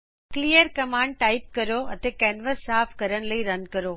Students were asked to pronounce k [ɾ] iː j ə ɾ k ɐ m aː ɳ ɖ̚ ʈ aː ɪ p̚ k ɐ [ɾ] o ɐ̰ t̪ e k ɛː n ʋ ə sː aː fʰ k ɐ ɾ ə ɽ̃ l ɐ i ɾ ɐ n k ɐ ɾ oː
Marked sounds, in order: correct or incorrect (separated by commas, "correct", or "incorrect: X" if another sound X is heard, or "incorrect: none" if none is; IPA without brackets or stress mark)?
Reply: incorrect: l, correct